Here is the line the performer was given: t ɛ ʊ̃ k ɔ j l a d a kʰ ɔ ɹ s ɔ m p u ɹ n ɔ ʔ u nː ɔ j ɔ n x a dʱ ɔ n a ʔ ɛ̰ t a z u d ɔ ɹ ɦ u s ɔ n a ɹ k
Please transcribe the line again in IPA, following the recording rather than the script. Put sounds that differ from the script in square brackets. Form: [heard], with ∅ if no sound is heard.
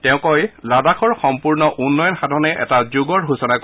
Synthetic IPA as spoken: t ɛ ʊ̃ k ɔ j l a d a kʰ ɔ ɹ [x] ɔ m p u ɹ n ɔ ʔ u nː ɔ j ɔ n x a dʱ ɔ n [ɛ] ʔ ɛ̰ t a z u [ɡ] ɔ ɹ ɦ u s ɔ n a [∅] k